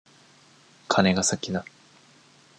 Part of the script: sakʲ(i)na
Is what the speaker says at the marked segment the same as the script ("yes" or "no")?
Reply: yes